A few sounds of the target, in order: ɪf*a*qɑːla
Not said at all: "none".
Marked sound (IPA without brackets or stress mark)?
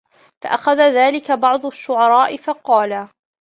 ɑ